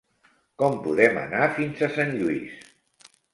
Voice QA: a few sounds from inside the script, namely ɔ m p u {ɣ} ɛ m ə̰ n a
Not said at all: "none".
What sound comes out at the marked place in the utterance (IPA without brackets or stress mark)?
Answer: ð